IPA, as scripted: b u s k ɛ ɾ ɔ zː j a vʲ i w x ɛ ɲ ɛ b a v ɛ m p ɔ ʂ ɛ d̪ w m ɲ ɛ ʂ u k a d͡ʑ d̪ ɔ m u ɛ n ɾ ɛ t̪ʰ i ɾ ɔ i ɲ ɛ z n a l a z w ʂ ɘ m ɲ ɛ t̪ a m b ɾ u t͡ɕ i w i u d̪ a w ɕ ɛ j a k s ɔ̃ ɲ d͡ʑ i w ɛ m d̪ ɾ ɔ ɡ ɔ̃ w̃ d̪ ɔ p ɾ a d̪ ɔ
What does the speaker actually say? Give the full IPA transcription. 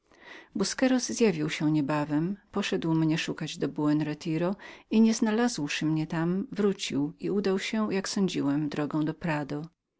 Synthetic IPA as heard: b u s k ɛ ɾ ɔ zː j a vʲ i w ɕ ɛ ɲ ɛ b a v ɛ m p ɔ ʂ ɛ d̪ w m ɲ ɛ ʂ u k a d͡ʑ d̪ ɔ b u ɛ n ɾ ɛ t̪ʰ i ɾ ɔ i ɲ ɛ z n a l a z w ʂ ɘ m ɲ ɛ t̪ a m v ɾ u t͡ɕ i w i u d̪ a w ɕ ɛ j a k s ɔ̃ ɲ d͡ʑ i w ɛ m d̪ ɾ ɔ ɡ ɔ̃ w̃ d̪ ɔ p ɾ a d̪ ɔ